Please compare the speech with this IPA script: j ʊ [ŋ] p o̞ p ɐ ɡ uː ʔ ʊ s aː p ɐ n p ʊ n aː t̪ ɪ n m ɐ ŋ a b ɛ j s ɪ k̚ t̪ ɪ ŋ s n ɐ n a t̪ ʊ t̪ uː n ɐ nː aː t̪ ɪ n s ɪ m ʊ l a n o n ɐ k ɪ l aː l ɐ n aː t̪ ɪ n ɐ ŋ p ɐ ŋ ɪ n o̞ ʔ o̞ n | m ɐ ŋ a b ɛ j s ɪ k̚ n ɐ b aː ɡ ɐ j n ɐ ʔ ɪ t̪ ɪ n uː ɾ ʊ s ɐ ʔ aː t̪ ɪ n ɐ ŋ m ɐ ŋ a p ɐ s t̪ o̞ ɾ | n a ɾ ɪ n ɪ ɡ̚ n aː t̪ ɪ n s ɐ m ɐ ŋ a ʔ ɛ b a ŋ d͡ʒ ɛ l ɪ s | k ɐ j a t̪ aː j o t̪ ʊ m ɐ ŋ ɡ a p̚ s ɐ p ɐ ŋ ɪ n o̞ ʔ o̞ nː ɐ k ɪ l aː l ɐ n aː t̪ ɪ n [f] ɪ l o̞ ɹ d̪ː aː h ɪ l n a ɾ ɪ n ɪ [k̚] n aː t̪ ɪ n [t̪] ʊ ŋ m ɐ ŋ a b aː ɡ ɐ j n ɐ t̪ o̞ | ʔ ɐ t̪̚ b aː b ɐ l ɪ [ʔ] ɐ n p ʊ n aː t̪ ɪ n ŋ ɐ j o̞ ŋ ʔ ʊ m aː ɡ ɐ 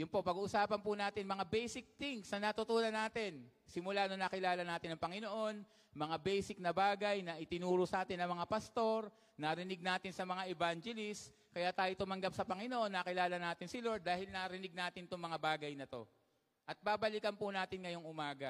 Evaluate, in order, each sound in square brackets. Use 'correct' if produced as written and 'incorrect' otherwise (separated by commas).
incorrect, incorrect, incorrect, correct, incorrect